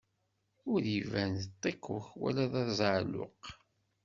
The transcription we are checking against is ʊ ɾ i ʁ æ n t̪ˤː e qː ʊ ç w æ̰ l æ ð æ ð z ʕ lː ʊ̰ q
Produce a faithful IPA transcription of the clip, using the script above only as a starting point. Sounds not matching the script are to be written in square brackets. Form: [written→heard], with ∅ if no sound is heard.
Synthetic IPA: ʊ ɾ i [ʁ→v] æ n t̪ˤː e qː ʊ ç w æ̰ l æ ð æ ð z ʕ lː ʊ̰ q

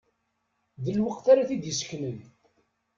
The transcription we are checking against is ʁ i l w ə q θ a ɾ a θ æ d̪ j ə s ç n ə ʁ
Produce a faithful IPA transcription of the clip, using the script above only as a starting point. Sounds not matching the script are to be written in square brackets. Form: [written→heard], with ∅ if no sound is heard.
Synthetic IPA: [ʁ→ð] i l w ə q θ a ɾ a θ [æ→i] d̪ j ə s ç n ə [ʁ→ð]

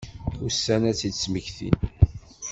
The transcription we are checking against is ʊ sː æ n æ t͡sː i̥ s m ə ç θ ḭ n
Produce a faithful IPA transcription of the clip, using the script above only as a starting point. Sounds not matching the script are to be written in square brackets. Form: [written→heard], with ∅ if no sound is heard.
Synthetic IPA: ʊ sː æ n æ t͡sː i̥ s m ə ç θ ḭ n

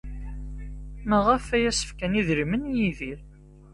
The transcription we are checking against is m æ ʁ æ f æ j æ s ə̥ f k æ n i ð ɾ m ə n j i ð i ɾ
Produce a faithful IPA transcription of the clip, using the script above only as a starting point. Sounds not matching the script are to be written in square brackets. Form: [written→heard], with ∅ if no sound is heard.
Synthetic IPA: m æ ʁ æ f æ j æ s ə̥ f k æ n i ð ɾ m ə n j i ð i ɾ

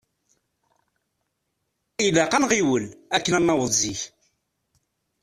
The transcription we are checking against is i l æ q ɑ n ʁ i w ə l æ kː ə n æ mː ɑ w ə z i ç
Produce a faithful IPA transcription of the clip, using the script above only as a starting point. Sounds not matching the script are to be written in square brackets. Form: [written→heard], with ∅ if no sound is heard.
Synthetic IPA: i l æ q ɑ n ʁ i w ə l æ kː ə n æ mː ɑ w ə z i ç

